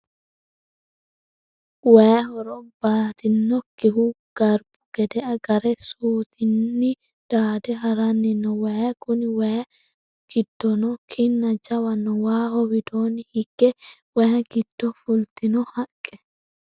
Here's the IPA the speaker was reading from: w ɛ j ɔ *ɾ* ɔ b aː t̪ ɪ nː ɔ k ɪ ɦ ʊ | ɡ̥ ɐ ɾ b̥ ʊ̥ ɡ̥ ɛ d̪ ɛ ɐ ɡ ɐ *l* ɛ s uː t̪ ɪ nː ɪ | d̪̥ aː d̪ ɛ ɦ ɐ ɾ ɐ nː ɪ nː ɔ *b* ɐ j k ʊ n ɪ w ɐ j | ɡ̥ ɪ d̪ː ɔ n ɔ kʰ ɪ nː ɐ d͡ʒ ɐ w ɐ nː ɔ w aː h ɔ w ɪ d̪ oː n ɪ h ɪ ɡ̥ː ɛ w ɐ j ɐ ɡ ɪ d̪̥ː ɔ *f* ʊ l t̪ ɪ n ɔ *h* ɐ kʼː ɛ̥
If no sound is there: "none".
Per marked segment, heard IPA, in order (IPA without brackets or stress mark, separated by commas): ɾ, ɾ, w, f, h